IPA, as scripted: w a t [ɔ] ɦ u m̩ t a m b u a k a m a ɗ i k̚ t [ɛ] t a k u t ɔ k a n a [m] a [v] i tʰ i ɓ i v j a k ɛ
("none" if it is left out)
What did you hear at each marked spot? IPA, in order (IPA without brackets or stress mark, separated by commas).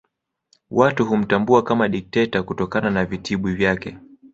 u, ɛ, n, v